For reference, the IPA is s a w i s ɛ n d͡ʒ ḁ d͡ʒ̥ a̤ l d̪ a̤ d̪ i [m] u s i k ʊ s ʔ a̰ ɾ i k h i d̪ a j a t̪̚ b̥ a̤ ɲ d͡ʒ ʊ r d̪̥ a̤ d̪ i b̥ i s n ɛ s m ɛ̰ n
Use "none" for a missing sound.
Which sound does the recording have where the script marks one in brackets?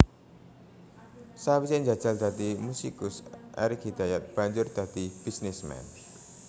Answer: m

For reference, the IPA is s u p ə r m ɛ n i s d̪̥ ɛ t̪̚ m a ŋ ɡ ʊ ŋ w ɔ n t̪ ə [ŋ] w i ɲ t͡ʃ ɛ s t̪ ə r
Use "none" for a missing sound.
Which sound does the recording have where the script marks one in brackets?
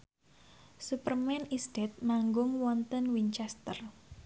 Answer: n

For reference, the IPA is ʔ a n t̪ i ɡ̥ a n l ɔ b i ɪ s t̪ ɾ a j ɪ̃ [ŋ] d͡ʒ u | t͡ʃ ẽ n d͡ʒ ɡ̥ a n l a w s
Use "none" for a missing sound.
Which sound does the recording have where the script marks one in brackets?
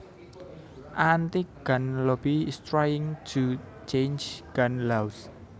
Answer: ŋ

